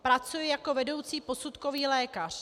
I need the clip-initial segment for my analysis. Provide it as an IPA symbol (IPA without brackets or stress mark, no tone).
p